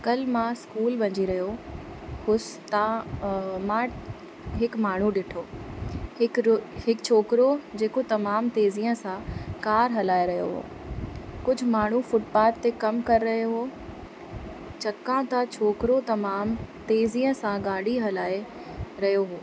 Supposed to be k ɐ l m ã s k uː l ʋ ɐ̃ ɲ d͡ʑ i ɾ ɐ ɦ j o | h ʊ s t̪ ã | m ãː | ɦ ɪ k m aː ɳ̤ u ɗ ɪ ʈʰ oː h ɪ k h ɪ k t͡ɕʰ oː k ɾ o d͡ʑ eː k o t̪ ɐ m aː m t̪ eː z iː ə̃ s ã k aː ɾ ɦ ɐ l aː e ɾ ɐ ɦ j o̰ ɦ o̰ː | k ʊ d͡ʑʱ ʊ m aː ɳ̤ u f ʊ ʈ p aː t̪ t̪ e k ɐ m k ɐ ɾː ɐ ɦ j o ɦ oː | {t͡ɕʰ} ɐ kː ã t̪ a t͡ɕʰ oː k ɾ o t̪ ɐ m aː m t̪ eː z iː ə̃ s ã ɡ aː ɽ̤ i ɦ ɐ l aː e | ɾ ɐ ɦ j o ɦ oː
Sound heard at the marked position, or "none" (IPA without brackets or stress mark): t͡ɕ